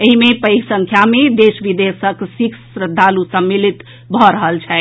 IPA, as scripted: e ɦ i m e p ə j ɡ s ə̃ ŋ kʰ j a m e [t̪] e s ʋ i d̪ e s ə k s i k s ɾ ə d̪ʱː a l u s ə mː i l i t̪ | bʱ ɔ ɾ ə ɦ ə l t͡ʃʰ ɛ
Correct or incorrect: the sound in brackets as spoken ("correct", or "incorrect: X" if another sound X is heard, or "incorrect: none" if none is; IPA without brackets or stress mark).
incorrect: d̪